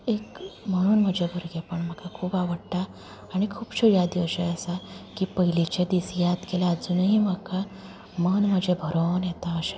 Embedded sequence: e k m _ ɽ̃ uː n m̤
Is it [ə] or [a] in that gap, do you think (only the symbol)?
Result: ə